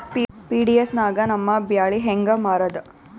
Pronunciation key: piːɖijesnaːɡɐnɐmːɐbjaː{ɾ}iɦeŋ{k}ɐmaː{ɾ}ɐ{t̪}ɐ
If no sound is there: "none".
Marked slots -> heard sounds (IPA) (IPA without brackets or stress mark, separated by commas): ɭ, ɡ, ɾ, d̪